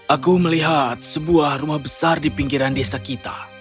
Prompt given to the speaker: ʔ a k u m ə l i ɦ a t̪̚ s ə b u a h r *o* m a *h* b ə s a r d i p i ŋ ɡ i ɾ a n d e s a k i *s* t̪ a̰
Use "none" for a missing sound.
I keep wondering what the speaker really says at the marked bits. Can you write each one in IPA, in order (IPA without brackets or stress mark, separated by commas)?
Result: u, h, none